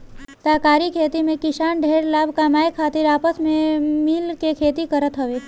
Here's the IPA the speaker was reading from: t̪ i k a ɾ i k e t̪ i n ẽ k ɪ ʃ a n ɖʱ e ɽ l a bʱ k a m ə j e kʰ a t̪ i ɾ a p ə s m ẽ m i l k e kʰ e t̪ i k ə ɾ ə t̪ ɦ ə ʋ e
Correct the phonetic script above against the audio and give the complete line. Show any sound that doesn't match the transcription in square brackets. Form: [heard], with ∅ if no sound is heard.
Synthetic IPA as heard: t̪ [a] k a ɾ i [kʰ] e t̪ i [m] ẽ k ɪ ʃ a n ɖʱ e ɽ l a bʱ k a m [a] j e kʰ a t̪ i ɾ a p ə s m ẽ m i l k e kʰ e t̪ i k ə ɾ ə t̪ ɦ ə ʋ e